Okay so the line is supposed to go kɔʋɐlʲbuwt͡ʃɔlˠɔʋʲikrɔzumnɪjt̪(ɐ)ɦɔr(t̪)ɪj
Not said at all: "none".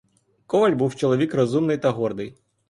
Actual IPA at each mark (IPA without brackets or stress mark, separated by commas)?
ɐ, d̪